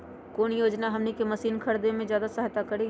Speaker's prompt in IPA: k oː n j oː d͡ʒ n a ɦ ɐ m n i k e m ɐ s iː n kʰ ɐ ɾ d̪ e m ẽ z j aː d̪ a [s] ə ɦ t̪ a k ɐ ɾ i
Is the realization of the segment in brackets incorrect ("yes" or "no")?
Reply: no